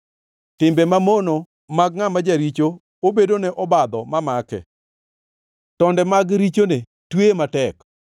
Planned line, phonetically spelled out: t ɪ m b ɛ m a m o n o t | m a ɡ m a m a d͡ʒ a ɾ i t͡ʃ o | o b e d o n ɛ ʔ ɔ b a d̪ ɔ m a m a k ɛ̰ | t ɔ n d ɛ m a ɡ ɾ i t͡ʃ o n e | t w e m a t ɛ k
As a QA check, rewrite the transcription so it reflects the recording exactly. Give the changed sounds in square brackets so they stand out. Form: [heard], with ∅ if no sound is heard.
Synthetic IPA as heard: t ɪ m b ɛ m a m o n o [∅] | m a ɡ [ŋ] a m a d͡ʒ a ɾ i t͡ʃ o | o b e d o n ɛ ʔ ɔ b a d̪ ɔ m a m a k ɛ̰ | t ɔ n d ɛ m a ɡ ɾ i t͡ʃ o n e | t w e m a t ɛ k